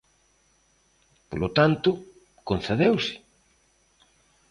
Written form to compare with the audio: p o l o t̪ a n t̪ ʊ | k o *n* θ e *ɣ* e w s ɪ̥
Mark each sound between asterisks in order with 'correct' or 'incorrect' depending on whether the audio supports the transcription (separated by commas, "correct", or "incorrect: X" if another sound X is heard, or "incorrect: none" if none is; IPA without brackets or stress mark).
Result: correct, incorrect: ð